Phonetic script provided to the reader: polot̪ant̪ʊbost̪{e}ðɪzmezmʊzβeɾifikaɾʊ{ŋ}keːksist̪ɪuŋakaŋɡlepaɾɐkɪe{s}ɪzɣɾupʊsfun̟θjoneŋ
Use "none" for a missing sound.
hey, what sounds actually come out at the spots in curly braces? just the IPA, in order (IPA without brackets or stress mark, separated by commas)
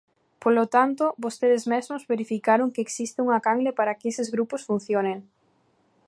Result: e, ŋ, s